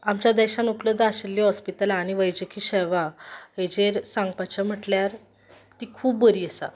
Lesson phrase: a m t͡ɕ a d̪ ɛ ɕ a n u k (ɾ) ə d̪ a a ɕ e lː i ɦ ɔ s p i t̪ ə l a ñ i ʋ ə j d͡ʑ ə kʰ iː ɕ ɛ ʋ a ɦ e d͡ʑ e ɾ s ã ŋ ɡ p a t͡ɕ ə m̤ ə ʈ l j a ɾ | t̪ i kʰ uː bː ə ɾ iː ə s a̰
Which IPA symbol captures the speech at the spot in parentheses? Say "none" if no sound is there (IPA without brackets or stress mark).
l